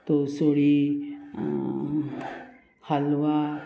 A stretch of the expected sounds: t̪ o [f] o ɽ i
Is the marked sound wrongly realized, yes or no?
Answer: yes